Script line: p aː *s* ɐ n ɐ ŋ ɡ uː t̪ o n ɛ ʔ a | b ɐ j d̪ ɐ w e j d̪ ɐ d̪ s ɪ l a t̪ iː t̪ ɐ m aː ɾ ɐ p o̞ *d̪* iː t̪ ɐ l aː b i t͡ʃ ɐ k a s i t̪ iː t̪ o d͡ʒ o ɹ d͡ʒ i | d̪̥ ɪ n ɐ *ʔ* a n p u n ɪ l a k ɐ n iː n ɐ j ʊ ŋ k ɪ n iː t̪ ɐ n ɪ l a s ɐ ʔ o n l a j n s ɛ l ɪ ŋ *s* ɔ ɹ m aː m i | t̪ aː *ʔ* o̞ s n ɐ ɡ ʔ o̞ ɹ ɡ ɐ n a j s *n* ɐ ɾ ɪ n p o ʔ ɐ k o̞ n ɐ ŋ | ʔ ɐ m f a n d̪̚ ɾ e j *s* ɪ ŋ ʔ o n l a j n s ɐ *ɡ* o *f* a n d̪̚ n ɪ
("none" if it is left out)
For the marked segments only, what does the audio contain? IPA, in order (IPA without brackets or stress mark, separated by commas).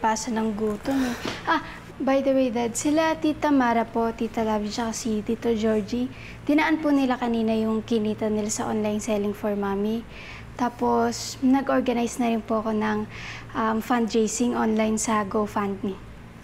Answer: s, t̪, ʔ, f, p, n, s, ɡ, f